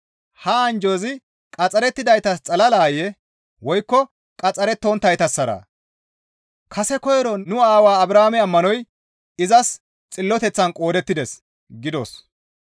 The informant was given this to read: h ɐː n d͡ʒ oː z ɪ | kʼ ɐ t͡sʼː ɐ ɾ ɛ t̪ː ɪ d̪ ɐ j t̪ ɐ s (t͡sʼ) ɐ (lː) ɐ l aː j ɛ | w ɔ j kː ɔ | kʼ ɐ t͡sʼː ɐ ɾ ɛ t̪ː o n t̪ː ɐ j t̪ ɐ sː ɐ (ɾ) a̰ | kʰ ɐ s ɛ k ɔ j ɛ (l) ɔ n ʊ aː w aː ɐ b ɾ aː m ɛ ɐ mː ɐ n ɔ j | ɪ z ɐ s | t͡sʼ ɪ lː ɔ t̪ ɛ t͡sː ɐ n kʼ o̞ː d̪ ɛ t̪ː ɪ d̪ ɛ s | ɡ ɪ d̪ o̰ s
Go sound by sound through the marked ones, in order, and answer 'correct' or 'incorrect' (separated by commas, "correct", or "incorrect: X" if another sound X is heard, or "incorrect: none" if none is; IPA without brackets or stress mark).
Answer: correct, incorrect: l, correct, incorrect: ɾ